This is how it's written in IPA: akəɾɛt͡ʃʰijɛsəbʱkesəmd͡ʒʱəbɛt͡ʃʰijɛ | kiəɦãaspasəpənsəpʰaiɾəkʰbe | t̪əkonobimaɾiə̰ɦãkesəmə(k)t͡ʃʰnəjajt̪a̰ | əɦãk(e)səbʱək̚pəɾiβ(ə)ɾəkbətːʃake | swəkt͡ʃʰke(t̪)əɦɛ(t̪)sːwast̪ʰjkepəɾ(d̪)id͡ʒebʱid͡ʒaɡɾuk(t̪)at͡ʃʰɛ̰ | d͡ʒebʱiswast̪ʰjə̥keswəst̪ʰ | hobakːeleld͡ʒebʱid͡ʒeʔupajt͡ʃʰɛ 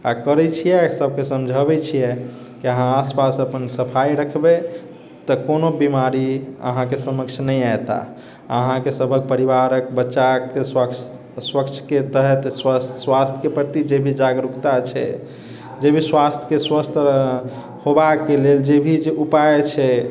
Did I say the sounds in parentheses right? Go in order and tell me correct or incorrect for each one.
correct, correct, incorrect: a, correct, correct, incorrect: t̪, correct

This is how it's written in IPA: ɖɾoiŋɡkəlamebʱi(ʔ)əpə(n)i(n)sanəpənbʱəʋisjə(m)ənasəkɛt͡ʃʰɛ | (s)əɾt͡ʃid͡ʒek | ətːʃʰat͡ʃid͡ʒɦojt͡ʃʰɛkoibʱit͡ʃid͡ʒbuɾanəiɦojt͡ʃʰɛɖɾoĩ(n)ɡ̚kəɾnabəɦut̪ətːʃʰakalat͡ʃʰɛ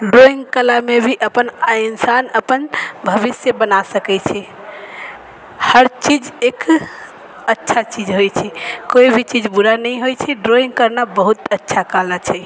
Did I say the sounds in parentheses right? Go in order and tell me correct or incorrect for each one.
correct, correct, correct, incorrect: b, incorrect: h, incorrect: ŋ

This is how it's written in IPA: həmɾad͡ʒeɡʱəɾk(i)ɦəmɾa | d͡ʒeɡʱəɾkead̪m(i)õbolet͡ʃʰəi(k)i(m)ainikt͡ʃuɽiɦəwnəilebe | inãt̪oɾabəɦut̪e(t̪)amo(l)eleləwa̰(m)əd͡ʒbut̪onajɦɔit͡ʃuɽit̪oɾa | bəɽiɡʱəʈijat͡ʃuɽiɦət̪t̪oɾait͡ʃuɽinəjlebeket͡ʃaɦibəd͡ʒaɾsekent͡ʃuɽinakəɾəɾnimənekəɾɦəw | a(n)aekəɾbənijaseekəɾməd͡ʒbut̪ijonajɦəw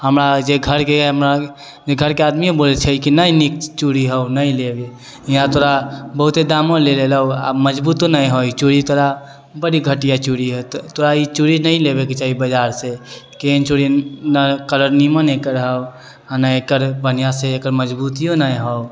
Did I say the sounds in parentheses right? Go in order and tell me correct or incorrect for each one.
incorrect: e, correct, correct, incorrect: n, incorrect: d̪, correct, correct, correct

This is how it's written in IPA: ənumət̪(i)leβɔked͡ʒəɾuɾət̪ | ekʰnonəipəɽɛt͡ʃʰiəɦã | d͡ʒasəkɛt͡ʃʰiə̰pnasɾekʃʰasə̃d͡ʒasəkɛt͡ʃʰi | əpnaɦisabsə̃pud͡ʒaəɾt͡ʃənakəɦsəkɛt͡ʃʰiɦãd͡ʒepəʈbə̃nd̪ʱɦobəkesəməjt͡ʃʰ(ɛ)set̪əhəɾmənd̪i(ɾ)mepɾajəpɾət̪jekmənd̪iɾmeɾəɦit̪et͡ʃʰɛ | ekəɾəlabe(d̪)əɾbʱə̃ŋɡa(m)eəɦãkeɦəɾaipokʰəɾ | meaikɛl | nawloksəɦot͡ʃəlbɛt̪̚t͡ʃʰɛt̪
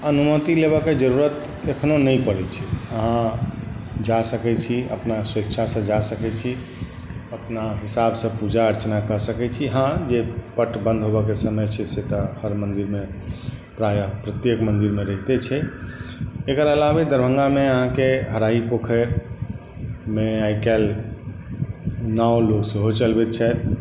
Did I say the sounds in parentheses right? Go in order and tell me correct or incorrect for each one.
correct, correct, correct, correct, correct

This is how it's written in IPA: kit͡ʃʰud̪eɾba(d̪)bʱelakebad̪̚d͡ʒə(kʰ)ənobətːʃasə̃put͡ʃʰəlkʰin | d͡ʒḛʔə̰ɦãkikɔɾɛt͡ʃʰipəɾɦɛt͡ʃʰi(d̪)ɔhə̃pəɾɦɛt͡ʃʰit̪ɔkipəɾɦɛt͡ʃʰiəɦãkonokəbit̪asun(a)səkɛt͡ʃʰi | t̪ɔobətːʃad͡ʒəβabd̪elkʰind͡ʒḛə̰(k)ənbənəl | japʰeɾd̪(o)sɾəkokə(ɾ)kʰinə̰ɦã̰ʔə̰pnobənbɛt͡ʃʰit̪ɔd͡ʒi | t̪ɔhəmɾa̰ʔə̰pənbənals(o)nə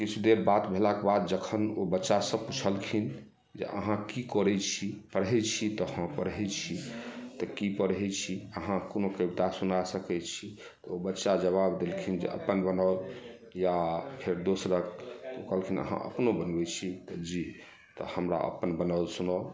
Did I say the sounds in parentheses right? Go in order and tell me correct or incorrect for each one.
incorrect: t̪, correct, incorrect: t̪, correct, incorrect: p, correct, incorrect: l, incorrect: u

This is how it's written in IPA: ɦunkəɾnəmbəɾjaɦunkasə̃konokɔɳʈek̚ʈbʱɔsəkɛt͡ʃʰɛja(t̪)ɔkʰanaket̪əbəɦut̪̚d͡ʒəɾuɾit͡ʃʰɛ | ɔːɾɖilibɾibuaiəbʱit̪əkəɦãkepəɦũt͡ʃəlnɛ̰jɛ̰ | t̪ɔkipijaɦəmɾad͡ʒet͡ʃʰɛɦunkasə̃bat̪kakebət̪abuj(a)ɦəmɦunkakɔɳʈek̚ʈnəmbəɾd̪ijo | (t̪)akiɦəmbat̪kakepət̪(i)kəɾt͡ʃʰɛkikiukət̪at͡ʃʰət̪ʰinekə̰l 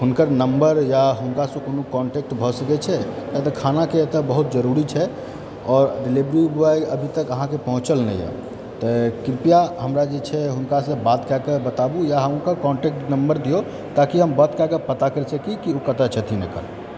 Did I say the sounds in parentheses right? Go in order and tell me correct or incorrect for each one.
correct, correct, correct, incorrect: a

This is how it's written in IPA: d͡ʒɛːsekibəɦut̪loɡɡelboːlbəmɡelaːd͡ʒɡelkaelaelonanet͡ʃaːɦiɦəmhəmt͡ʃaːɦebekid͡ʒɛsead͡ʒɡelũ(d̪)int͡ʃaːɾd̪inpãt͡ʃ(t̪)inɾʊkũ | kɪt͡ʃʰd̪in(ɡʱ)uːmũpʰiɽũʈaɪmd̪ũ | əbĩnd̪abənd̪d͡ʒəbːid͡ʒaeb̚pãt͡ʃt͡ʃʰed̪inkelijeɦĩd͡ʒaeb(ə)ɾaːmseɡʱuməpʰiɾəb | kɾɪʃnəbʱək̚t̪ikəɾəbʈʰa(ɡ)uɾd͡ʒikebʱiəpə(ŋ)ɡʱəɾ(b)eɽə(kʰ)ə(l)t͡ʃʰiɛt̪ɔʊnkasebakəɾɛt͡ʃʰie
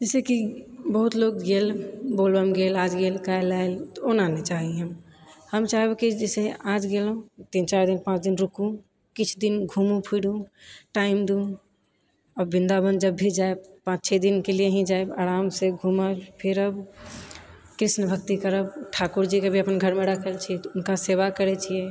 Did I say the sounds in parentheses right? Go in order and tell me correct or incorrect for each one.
incorrect: t̪, incorrect: d̪, correct, incorrect: a, incorrect: k, incorrect: n, incorrect: m, correct, correct

